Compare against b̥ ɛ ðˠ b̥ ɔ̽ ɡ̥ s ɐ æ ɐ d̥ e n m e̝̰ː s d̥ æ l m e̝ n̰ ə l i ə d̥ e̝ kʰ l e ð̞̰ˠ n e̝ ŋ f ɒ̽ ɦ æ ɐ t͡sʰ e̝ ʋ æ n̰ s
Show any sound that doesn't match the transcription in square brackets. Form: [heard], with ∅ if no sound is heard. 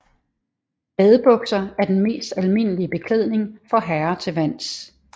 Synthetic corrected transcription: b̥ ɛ ðˠ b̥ ɔ̽ ɡ̥ s ɐ æ ɐ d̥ e n m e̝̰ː s d̥ æ l m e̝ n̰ ə l i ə [b̥] e̝ kʰ l e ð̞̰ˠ n e̝ ŋ f ɒ̽ ɦ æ ɐ t͡sʰ e̝ ʋ æ n̰ s